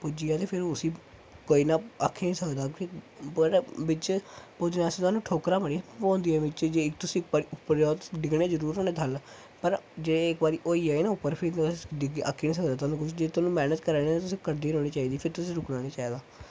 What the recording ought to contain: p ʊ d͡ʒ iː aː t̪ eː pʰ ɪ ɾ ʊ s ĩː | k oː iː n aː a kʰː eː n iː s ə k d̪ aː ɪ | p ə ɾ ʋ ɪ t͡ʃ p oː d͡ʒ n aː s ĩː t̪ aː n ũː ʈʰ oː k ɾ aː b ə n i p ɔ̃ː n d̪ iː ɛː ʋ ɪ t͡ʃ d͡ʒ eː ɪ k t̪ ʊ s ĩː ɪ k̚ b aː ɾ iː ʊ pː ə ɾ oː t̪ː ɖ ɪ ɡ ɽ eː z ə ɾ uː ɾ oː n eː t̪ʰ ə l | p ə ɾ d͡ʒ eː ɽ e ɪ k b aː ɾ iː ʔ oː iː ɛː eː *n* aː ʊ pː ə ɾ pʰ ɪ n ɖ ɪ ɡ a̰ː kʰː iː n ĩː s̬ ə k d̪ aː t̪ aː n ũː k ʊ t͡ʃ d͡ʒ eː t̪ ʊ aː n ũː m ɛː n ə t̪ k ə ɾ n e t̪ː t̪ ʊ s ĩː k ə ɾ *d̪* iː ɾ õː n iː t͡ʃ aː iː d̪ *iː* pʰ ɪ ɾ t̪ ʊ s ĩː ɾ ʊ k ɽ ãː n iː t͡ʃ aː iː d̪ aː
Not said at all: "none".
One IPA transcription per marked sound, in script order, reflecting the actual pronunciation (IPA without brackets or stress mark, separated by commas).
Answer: n, d̪, iː